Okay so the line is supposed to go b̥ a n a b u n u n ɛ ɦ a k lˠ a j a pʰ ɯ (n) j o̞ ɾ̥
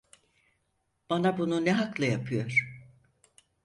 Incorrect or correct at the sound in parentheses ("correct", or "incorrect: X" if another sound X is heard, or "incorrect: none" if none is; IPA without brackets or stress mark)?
incorrect: none